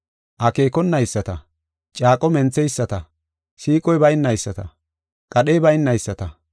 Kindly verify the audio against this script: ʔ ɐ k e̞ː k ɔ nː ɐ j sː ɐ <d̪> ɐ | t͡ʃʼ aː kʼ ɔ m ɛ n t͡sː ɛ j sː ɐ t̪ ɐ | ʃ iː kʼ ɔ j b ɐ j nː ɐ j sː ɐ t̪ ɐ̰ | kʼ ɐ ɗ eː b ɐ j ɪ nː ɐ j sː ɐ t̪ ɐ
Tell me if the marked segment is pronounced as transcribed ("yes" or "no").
no